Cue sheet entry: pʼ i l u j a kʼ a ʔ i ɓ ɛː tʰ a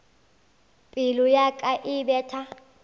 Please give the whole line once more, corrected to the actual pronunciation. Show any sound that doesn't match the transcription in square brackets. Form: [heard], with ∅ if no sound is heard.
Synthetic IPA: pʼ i l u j a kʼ a ʔ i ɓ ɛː tʰ a

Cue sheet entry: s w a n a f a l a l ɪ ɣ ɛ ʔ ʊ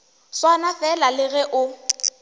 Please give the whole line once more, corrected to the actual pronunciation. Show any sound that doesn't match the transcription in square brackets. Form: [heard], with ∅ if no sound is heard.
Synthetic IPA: s w a n a f [ɛ] l a l ɪ ɣ ɛ ʔ ʊ

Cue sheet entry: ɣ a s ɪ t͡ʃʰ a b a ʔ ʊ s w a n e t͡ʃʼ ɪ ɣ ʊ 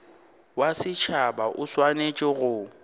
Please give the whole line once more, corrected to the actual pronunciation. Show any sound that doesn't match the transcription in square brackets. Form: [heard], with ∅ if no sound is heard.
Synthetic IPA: [w] a s ɪ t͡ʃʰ a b a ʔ ʊ s w a n e t͡ʃʼ ɪ ɣ ʊ

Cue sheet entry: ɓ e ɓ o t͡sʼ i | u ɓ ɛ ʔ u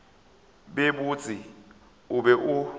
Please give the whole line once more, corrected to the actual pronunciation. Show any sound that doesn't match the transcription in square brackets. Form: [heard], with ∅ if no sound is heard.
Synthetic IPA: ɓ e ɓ [u] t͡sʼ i | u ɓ ɛ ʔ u

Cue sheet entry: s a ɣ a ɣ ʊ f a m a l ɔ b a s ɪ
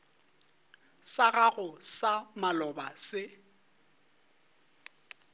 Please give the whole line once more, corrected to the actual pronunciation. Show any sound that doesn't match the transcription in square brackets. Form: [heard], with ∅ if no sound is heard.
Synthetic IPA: s a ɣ a ɣ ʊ [s] a m a l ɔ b a s ɪ

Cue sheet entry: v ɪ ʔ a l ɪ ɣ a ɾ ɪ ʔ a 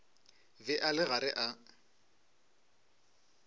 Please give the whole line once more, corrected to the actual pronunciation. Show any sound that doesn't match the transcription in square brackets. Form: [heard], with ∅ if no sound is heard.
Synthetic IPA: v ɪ ʔ a l ɪ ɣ a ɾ ɪ ʔ a

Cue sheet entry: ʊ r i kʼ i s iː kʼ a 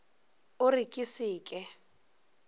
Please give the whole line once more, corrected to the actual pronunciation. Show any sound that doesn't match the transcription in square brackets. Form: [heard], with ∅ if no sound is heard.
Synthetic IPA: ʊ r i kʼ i s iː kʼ [ɛ]

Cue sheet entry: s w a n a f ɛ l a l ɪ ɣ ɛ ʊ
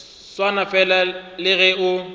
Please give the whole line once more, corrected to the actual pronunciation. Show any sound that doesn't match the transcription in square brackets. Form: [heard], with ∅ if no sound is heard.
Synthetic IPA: s w a n a f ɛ l a l ɪ ɣ ɛ ʊ

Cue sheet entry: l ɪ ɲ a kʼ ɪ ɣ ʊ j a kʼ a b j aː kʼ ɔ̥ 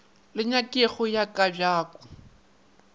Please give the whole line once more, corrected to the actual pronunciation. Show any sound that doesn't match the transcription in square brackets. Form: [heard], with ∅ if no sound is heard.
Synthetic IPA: l ɪ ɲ a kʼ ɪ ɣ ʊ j a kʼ a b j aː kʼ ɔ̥

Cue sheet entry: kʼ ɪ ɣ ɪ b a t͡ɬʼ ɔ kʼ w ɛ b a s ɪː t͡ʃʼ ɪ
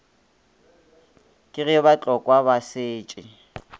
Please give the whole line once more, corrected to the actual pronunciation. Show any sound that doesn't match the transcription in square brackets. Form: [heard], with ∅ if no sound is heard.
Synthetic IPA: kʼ ɪ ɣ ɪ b a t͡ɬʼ ɔ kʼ w [a] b a s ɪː t͡ʃʼ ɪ

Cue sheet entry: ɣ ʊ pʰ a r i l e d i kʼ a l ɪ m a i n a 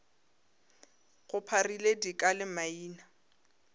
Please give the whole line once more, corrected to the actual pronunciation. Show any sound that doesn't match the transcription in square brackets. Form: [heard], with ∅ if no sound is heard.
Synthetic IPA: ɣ ʊ pʰ a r i l e d i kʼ a l ɪ m a [iː] n a

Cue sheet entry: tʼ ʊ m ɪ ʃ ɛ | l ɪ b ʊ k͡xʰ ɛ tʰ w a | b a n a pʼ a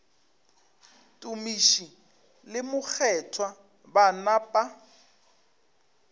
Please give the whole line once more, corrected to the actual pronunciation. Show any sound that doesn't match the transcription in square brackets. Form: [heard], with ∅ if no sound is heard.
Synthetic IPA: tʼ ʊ m [i] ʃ [i] | l ɪ [m] ʊ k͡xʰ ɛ tʰ w a | b a n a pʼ a

